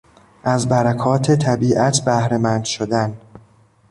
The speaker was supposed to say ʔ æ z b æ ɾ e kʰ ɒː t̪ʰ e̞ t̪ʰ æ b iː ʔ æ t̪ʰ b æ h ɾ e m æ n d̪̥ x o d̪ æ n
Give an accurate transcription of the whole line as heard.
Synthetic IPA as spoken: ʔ æ z b æ ɾ æ kʰ ɒː t̪ʰ e̞ t̪ʰ æ b iː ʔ æ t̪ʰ b æ h ɾ e m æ n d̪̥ ʃ o d̪ æ n

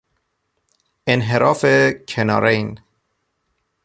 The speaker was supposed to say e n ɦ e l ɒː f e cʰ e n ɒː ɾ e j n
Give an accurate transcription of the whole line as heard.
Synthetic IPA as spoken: e n ɦ e ɾ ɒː f e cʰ e n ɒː ɾ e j n

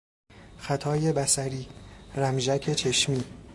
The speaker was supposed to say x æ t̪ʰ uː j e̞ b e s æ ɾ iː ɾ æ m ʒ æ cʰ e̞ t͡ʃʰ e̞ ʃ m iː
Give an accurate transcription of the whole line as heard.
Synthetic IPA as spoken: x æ t̪ʰ ɒː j e̞ b æ s æ ɾ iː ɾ æ m ʒ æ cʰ e̞ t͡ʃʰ e̞ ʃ m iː

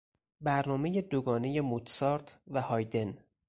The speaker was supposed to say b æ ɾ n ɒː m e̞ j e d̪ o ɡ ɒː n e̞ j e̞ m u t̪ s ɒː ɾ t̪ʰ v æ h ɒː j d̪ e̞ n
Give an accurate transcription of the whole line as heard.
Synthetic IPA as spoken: b æ ɾ n ɒː m e̞ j e d̪ o ɡ ɒː n e̞ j e̞ m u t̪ s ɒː ɾ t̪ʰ v æ h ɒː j d̪ e̞ n

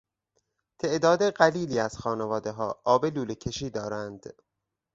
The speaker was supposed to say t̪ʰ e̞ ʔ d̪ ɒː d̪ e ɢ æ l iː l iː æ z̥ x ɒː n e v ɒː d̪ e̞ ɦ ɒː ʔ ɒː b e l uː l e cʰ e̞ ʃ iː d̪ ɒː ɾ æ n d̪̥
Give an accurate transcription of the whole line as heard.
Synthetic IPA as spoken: t̪ʰ e̞ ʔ d̪ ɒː d̪ e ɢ æ l iː l iː æ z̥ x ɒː n e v ɒː d̪ e̞ ɦ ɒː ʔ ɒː b e l uː l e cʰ e̞ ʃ iː d̪ ɒː ɾ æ n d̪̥

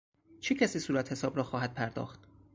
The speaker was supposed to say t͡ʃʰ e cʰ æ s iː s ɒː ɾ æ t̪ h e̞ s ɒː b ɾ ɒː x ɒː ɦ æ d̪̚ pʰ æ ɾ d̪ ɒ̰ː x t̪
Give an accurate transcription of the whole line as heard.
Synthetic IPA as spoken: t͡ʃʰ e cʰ æ s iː s uː ɾ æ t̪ h e̞ s ɒː b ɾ ɒː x ɒː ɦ æ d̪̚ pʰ æ ɾ d̪ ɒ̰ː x t̪

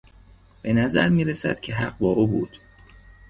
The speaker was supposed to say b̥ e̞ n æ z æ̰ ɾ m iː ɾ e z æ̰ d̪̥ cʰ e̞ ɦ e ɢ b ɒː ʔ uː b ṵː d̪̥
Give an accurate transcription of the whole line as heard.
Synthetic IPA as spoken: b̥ e̞ n æ z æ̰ ɾ m iː ɾ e s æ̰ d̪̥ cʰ e̞ ɦ æ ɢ b ɒː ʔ uː b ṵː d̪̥

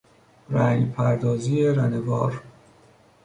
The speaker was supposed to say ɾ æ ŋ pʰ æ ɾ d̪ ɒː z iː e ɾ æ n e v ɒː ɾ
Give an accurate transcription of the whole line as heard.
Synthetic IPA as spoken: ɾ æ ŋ pʰ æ ɾ d̪ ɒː z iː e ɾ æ n e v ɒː ɾ

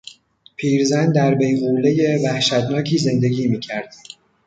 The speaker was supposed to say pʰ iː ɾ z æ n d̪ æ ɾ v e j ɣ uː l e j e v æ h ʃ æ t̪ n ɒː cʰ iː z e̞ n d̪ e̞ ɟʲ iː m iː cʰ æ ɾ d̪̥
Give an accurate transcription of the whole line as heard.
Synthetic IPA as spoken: pʰ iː ɾ z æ n d̪ æ ɾ b e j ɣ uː l e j e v æ h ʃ æ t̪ n ɒː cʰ iː z e̞ n d̪ e̞ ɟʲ iː m iː cʰ æ ɾ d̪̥

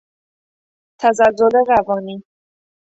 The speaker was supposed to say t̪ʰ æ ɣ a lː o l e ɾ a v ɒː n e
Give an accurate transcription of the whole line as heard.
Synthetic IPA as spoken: t̪ʰ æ z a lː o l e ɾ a v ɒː n i

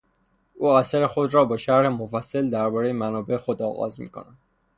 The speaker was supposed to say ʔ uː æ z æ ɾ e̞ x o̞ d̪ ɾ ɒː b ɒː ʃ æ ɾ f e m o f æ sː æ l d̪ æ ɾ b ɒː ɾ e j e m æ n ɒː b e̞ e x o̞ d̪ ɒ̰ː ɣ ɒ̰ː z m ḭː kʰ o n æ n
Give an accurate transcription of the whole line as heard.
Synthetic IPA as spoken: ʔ uː æ s æ ɾ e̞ x o̞ d̪ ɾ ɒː b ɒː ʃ æ ɾ h e m o f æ sː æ l d̪ æ ɾ b ɒː ɾ e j e m æ n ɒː b e̞ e x o̞ d̪ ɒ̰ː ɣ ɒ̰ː z m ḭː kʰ o n æ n

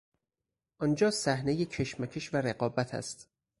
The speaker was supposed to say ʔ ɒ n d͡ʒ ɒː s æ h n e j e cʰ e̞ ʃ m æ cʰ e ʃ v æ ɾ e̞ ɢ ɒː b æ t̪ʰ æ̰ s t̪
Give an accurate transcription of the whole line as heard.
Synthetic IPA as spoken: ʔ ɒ n d͡ʒ ɒː s æ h n e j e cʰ e̞ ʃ m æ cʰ e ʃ v æ ɾ e̞ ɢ ɒː b æ t̪ʰ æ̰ s t̪

